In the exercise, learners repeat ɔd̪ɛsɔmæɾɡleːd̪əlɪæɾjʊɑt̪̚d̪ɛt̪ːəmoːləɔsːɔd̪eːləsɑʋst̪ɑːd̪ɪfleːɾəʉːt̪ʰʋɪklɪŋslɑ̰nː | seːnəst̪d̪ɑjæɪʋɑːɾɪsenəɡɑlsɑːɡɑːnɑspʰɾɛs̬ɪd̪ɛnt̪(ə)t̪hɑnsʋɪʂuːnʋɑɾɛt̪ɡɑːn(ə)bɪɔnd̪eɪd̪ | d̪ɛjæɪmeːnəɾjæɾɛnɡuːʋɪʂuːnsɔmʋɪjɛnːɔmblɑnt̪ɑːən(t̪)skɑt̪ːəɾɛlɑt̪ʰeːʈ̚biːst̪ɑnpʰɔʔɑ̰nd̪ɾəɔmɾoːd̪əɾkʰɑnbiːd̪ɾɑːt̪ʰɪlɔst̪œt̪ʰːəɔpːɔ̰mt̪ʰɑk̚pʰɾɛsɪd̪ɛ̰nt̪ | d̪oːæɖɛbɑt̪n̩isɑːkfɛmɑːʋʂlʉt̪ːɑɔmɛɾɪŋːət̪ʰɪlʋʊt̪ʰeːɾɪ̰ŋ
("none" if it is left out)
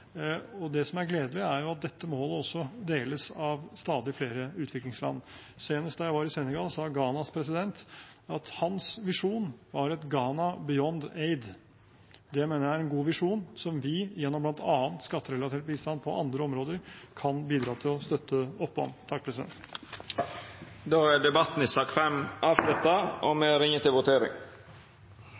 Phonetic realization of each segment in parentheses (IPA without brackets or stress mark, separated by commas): ɑ, ɑ, t̪